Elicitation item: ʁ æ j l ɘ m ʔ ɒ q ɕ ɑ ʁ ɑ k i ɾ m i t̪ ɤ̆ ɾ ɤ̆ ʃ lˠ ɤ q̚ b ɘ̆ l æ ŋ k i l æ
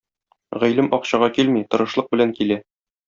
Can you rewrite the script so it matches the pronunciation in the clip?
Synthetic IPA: ʁ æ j l ɘ m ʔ ɒ q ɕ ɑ ʁ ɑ k i l m i t̪ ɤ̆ ɾ ɤ̆ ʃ lˠ ɤ q̚ b ɘ̆ l æ ŋ k i l æ

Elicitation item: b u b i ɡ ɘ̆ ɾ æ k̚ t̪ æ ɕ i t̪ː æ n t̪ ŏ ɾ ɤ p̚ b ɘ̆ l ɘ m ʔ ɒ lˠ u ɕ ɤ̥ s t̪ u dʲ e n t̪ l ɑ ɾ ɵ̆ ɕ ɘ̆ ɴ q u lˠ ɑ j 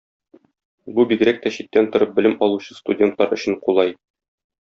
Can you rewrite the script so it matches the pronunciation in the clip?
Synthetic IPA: b u b i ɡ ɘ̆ ɾ æ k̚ t̪ æ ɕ i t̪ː æ n t̪ ŏ ɾ ɤ p̚ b ɘ̆ l ɘ m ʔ ɒ lˠ u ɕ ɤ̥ s t̪ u dʲ e n t̪ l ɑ ɾ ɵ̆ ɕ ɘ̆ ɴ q u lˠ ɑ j

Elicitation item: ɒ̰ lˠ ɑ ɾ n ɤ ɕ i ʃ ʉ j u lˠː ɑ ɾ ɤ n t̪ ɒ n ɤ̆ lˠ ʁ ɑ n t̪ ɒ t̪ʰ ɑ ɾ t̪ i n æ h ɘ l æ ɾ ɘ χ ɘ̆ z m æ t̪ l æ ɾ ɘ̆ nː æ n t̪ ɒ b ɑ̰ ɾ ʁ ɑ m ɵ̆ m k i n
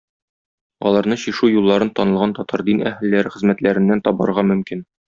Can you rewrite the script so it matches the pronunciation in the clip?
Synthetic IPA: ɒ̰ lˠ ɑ ɾ n ɤ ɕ i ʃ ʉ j u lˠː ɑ ɾ ɤ n t̪ ɒ n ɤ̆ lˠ ʁ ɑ n t̪ ɒ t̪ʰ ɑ ɾ d̪ i n æ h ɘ lː æ ɾ ɘ χ ɘ̆ z m æ t̪ l æ ɾ ɘ̆ nː æ n t̪ ɒ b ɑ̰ ɾ ʁ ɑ m ɵ̆ m k i n

